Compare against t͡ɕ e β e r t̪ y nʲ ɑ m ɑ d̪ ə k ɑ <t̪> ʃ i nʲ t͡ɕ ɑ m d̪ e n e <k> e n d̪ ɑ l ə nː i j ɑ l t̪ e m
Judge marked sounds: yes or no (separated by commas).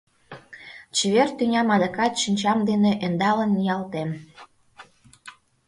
yes, no